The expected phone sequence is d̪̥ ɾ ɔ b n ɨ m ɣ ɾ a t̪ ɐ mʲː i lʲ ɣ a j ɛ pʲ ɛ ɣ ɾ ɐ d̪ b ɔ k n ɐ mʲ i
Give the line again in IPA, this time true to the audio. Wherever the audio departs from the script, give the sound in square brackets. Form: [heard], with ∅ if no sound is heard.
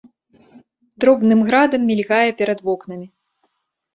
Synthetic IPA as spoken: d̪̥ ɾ ɔ b n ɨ m ɣ ɾ a [d̪] ɐ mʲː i lʲ ɣ a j ɛ pʲ ɛ [∅] ɾ ɐ d̪ [v] ɔ k n ɐ mʲ i